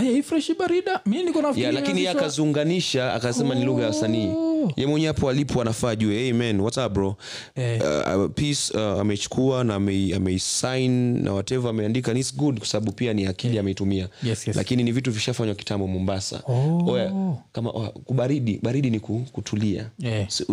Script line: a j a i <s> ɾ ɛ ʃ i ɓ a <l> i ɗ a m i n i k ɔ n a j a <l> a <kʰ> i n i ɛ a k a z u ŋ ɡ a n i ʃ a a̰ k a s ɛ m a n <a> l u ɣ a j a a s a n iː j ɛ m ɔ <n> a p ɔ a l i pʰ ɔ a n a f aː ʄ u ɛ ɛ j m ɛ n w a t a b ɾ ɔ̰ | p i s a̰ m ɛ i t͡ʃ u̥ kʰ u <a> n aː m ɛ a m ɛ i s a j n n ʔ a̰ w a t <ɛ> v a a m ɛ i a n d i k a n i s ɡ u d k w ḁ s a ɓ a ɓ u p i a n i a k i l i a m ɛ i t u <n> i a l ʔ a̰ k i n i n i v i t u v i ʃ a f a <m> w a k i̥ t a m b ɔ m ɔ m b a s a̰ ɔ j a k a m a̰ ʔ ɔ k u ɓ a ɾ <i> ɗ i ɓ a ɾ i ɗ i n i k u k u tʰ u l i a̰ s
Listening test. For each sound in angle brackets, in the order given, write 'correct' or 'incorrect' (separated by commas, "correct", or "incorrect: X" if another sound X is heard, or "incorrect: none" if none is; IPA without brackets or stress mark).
incorrect: f, incorrect: ɾ, correct, incorrect: k, incorrect: i, incorrect: ɲ, correct, correct, incorrect: m, incorrect: ɲ, correct